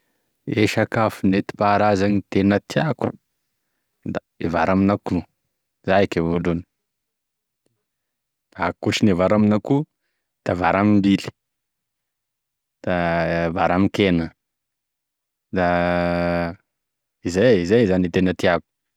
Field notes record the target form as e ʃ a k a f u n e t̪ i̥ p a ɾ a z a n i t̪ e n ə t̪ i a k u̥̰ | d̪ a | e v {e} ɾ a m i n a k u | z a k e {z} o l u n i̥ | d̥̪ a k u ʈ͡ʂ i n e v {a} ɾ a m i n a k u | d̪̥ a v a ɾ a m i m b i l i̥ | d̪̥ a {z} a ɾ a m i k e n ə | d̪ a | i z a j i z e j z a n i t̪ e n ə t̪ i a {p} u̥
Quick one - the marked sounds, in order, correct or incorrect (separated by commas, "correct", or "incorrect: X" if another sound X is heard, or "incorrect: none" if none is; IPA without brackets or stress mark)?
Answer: incorrect: a, incorrect: v, correct, incorrect: v, incorrect: k